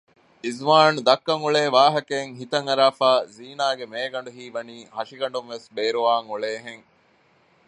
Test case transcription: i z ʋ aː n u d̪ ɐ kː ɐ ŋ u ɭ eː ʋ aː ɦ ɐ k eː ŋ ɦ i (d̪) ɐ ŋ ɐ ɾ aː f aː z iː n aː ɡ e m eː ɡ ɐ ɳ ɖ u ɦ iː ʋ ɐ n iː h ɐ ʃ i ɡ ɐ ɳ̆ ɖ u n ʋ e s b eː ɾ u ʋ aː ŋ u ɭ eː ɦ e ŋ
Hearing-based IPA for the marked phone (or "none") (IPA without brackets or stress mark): t̪